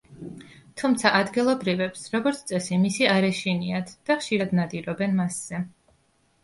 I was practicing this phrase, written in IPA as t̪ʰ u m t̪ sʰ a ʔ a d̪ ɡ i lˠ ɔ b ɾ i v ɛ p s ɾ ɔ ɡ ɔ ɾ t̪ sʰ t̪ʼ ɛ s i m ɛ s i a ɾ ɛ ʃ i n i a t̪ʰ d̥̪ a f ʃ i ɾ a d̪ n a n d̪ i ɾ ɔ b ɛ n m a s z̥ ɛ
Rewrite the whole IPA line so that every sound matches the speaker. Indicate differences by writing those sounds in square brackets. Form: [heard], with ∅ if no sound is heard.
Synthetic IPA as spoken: t̪ʰ u m t̪ sʰ a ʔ a d̪ ɡ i lˠ ɔ b ɾ i v ɛ p s ɾ ɔ ɡ ɔ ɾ t̪ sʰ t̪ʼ ɛ s i m [i] s i a ɾ ɛ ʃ i n i a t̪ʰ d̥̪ a [χ] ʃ i ɾ a d̪ n a [∅] d̪ i ɾ ɔ b ɛ n m a s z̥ ɛ